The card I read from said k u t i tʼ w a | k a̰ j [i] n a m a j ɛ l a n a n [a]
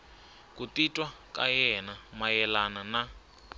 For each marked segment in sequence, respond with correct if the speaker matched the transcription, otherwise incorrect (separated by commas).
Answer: incorrect, correct